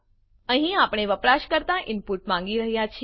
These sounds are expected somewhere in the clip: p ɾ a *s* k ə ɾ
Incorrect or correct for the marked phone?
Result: incorrect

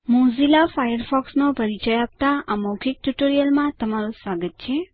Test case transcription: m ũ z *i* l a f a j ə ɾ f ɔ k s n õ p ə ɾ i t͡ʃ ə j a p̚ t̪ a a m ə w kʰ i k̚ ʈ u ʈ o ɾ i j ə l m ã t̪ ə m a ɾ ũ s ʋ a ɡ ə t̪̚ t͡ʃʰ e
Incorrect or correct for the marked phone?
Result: correct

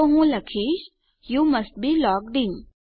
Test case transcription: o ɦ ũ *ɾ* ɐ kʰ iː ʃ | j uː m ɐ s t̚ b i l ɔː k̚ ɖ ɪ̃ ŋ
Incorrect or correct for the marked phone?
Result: incorrect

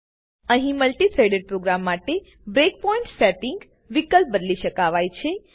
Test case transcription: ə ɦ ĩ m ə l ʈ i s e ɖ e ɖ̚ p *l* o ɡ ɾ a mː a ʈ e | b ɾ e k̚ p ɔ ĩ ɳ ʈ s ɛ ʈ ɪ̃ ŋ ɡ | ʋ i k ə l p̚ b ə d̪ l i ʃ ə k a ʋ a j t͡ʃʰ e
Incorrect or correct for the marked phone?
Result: incorrect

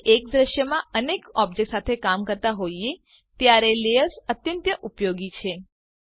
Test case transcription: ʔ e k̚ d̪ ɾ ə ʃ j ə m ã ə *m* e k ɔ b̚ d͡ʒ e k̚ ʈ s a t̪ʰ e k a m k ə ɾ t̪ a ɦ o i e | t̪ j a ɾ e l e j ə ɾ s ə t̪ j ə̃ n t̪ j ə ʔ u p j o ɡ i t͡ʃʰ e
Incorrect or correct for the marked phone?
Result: incorrect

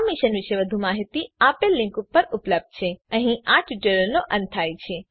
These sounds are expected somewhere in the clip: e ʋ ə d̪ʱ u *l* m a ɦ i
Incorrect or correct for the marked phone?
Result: incorrect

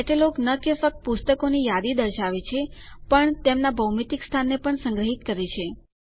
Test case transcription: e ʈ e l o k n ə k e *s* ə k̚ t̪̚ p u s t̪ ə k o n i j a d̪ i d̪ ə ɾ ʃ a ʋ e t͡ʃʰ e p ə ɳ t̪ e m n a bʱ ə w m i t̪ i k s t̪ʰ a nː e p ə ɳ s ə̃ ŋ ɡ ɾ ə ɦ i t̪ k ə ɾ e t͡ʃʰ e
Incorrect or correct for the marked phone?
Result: incorrect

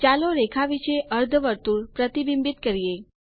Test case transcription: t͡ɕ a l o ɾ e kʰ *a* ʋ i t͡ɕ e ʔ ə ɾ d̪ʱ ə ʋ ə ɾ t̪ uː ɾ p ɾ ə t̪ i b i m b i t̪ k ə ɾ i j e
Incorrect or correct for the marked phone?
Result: correct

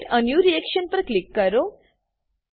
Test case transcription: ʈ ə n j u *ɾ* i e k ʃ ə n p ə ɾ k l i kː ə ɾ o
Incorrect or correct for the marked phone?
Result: correct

